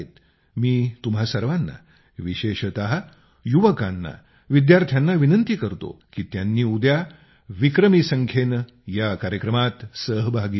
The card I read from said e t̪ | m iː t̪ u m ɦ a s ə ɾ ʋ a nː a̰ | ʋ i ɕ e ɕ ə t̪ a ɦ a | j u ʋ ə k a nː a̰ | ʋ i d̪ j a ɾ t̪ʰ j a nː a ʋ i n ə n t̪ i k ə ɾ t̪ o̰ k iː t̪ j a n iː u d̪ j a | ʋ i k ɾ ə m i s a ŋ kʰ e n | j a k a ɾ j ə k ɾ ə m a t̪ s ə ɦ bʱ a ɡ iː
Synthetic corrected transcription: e t̪ | m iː t̪ u m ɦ a s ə ɾ ʋ a nː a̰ | ʋ i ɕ e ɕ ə t̪ a ɦ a | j u ʋ ə k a nː a̰ | ʋ i d̪ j a ɾ t̪ʰ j a nː a ʋ i n ə n t̪ i k ə ɾ t̪ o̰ k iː t̪ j a nː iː u d̪ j a | ʋ i k ɾ ə m i s ə ŋ kʰ e n | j a k a ɾ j ə k ɾ ə m a t̪ s ə ɦ bʱ a ɡ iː

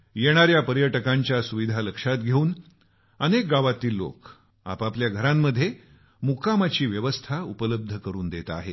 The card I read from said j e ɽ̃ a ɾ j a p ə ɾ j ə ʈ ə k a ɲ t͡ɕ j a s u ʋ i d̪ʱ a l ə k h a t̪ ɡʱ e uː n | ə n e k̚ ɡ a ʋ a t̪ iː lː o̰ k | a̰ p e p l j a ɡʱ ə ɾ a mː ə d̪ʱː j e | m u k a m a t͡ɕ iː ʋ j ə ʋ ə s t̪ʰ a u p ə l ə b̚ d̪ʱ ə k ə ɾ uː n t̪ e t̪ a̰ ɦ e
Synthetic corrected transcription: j e ɽ̃ a ɾ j a p ə ɾ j ə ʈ ə k a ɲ t͡ɕ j a s u ʋ i d̪ʱ a l ə k ʂ a t̪ ɡʱ e uː n | ə n e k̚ ɡ a ʋ a t̪ iː lː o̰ k | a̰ p a p l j a ɡʱ ə ɾ a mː ə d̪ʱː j e | m u k a m a t͡ɕ iː ʋ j ə ʋ ə s t̪ʰ a u p ə l ə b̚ d̪ʱ ə k ə ɾ uː n d̪ e t̪ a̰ ɦ e

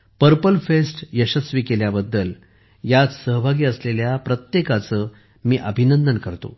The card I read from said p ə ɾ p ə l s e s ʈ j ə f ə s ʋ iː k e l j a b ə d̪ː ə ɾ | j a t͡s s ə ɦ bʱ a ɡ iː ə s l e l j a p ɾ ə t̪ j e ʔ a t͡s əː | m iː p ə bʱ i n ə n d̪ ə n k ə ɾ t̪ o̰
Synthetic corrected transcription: p ə ɾ p ə l f e s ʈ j ə ɕ ə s ʋ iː k e l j a b ə d̪ː ə l | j a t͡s s ə ɦ bʱ a ɡ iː ə s l e l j a p ɾ ə t̪ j e k a t͡s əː | m iː ʔ ə bʱ i n ə n d̪ ə n k ə ɾ t̪ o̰

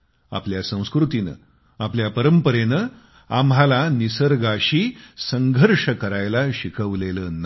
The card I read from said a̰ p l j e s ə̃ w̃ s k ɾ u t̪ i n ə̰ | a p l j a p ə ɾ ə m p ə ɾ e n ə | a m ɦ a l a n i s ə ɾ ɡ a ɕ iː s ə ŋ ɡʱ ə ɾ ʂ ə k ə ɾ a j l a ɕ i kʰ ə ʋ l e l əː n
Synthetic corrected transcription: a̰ p l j a s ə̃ w̃ s k ɾ u t̪ i n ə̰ | a p l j a p ə ɾ ə m p ə ɾ e n ə | a m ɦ a l a n i s ə ɾ ɡ a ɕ iː s ə ŋ ɡʱ ə ɾ ʂ ə k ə ɾ a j l a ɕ i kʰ ə ʋ l e l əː n

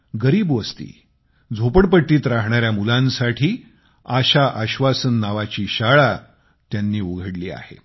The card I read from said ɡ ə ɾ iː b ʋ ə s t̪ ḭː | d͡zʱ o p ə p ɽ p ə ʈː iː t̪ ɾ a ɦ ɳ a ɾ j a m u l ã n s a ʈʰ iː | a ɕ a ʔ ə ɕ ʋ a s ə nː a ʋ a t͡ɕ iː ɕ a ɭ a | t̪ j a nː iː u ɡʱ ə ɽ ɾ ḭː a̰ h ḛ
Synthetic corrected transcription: ɡ ə ɾ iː b ʋ ə s t̪ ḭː | d͡zʱ o p ə ɽ p ə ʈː iː t̪ ɾ a ɦ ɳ a ɾ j a m u l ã n s a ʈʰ iː | a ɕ a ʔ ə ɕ ʋ a s ə nː a ʋ a t͡ɕ iː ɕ a ɭ a | t̪ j a nː iː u ɡʱ ə ɽ l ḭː a̰ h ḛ

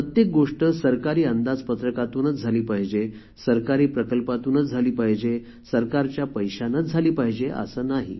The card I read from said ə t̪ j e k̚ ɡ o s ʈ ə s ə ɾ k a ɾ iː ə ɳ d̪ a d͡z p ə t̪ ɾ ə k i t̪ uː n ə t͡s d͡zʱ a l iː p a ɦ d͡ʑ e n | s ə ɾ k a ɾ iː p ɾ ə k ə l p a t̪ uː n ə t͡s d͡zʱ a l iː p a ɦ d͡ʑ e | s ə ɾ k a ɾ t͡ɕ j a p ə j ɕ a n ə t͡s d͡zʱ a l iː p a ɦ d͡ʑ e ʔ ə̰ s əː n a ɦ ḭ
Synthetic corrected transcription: ə t̪ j e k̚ ɡ o ʂ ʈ ə s ə ɾ k a ɾ iː ə n d̪ a d͡z p ə t̪ ɾ ə k a t̪ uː n ə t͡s d͡zʱ a l iː p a ɦ d͡ʑ e | s ə ɾ k a ɾ iː p ɾ ə k ə l p a t̪ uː n ə t͡s d͡zʱ a l iː p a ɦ d͡ʑ e | s ə ɾ k a ɾ t͡ɕ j a p ə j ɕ a n ə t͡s d͡zʱ a l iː p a ɦ d͡ʑ e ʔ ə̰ s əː n a ɦ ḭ

